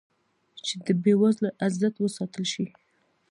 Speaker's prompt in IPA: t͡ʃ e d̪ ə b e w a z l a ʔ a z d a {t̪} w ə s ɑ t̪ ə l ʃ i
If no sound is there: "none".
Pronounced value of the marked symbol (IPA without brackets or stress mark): t̪